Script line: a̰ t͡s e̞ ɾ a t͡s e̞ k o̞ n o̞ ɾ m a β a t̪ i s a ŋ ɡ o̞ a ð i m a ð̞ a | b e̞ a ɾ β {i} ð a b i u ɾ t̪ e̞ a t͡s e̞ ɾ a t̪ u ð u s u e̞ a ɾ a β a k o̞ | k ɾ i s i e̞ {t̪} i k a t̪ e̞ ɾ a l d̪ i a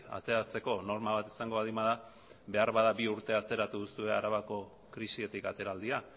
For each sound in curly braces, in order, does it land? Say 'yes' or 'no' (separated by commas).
no, yes